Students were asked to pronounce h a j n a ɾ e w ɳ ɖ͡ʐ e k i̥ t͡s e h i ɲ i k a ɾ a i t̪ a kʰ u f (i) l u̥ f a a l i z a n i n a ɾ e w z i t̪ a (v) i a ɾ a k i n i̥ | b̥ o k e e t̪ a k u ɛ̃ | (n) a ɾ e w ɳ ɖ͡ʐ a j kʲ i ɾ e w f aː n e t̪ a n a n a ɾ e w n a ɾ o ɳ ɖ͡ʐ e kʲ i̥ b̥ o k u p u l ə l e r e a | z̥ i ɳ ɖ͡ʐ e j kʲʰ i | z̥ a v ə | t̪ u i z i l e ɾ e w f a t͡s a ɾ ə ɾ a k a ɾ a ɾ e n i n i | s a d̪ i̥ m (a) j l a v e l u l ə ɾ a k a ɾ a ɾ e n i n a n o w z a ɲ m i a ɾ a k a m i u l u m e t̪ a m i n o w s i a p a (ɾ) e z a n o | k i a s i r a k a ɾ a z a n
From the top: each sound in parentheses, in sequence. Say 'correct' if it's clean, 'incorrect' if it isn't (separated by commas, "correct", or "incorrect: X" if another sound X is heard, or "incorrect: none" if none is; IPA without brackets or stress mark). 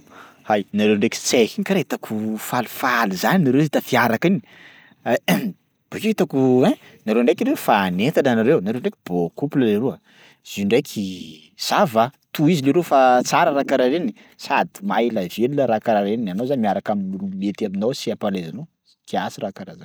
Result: incorrect: a, incorrect: f, correct, correct, incorrect: l